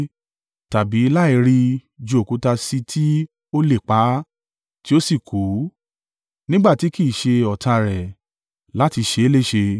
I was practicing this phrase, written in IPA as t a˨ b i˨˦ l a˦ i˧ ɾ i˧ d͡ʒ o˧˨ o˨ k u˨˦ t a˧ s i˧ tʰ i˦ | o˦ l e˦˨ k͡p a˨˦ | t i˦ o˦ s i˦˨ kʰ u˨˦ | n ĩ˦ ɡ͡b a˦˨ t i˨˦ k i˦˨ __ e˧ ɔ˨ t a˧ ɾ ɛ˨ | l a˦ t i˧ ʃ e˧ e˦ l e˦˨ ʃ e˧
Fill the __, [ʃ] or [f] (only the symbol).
ʃ